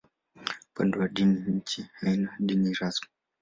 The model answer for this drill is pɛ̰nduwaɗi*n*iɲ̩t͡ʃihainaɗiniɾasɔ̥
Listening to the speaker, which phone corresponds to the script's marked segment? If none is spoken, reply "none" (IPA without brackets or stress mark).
n